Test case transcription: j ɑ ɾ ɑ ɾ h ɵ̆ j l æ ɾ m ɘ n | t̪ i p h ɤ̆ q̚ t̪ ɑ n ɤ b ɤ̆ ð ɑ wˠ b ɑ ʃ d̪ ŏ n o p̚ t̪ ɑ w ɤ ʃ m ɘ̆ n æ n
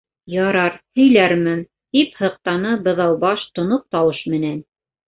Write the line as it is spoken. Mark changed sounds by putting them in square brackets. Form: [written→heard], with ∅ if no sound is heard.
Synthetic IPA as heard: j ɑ ɾ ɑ ɾ h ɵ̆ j l æ ɾ m ɘ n | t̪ i p h ɤ̆ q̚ t̪ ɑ n ɤ b ɤ̆ ð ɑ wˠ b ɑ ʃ [d̪→t̪] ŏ n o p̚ t̪ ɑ w ɤ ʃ m ɘ̆ n æ n